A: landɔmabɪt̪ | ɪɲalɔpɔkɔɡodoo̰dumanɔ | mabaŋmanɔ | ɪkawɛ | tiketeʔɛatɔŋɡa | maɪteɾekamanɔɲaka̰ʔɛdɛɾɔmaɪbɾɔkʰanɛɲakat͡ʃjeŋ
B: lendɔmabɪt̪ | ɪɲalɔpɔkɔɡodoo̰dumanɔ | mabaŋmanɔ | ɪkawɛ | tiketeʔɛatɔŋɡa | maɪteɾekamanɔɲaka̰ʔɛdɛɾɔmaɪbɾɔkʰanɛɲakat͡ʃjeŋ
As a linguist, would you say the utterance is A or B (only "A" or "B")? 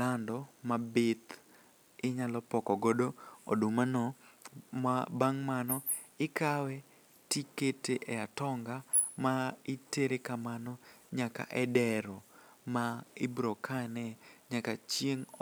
A